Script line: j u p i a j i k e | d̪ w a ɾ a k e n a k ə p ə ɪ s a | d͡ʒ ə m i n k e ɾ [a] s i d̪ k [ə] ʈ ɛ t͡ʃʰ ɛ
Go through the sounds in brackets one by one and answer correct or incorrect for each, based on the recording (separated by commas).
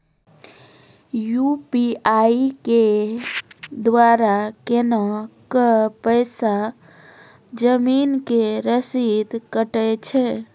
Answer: incorrect, correct